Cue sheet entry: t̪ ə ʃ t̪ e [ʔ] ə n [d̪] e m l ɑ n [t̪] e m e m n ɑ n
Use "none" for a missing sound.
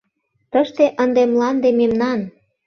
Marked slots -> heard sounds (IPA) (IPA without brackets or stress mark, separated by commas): ʔ, d̪, d̪